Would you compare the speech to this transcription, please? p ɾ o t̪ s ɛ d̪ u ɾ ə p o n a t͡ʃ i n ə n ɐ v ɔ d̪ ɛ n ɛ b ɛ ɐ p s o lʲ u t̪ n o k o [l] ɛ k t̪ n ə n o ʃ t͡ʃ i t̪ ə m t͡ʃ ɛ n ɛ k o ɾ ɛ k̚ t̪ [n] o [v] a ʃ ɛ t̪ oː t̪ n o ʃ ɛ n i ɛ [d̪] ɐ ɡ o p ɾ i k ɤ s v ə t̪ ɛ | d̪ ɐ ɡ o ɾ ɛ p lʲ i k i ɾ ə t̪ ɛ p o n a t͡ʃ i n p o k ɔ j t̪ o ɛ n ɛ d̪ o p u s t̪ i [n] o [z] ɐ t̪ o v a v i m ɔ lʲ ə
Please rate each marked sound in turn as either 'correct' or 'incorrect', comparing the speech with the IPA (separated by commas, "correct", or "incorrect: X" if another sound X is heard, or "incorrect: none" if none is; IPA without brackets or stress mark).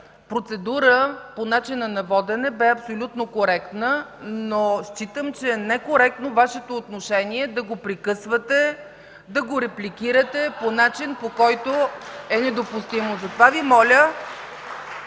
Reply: incorrect: ɾ, correct, correct, correct, incorrect: m, correct